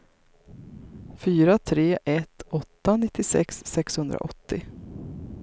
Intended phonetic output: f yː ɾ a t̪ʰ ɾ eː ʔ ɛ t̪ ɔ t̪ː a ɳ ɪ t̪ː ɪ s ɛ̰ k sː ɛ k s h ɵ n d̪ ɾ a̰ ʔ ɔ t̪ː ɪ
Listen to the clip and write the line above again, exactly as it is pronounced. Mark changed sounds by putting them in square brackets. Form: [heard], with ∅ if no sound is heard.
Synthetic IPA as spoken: f yː ɾ a t̪ʰ ɾ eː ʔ ɛ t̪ ɔ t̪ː a [n] ɪ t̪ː ɪ s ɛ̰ k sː ɛ k s h ɵ n d̪ ɾ a̰ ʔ ɔ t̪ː ɪ